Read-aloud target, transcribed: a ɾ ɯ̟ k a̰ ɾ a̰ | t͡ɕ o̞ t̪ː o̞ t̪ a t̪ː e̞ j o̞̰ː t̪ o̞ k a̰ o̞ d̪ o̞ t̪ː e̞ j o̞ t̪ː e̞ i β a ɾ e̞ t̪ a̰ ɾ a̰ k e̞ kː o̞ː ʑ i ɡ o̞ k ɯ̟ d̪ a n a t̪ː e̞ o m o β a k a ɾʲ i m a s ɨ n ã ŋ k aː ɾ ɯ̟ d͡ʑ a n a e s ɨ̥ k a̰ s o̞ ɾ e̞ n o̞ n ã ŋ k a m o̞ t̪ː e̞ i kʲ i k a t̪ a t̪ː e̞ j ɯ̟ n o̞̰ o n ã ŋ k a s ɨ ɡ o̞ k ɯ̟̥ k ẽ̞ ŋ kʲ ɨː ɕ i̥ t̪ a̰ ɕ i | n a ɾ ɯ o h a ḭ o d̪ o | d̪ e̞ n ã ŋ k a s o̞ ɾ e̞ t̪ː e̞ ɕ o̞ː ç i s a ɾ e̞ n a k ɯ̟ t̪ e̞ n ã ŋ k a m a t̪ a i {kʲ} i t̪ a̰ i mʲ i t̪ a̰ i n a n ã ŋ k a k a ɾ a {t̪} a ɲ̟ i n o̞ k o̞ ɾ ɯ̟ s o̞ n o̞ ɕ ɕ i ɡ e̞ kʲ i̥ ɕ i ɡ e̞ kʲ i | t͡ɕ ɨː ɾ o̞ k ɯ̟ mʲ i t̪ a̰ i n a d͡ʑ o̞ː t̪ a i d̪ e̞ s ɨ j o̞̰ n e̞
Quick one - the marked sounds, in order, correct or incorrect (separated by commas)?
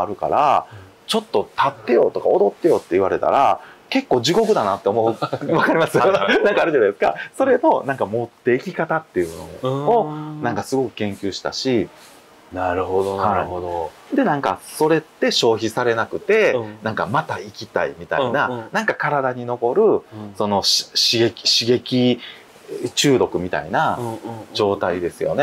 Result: correct, incorrect